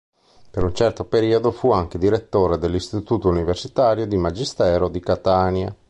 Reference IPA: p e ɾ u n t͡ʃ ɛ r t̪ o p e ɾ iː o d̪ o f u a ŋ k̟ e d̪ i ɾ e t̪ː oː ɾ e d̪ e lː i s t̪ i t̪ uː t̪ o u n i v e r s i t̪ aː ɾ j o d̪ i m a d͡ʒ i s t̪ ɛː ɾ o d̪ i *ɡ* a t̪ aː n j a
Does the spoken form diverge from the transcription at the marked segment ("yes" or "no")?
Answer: yes